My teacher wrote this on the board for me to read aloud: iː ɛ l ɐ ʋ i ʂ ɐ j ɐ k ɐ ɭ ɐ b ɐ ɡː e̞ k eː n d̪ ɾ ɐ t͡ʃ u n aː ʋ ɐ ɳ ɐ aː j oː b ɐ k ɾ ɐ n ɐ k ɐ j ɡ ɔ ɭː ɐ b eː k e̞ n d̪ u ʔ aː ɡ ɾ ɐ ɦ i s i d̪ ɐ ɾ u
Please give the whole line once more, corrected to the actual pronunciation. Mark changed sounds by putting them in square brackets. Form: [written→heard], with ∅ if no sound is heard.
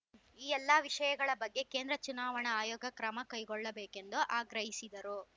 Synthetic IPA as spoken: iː ɛ [l→lː] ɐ ʋ i ʂ ɐ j ɐ [k→ɡ] ɐ ɭ ɐ b ɐ ɡː e̞ k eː n d̪ ɾ ɐ t͡ʃ u n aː ʋ ɐ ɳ ɐ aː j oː [b→ɡ] ɐ k ɾ ɐ [n→m] ɐ k ɐ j ɡ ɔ ɭː ɐ b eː k e̞ n d̪ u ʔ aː ɡ ɾ ɐ ɦ i s i d̪ ɐ ɾ u